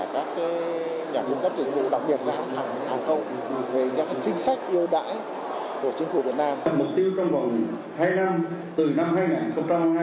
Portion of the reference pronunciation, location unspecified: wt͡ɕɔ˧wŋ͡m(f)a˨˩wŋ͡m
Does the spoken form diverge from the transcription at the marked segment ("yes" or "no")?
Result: yes